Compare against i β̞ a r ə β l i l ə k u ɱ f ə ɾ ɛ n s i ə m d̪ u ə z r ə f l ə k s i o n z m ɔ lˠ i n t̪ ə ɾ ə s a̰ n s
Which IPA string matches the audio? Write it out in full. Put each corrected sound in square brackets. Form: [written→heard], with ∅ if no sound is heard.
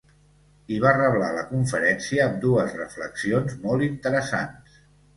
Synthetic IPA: i β̞ a r ə β l [i→a] l ə k u ɱ f ə ɾ ɛ n s i [ə→əː] m d̪ u ə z r ə f l ə k s i o n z m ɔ lˠ i n t̪ ə ɾ ə s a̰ n s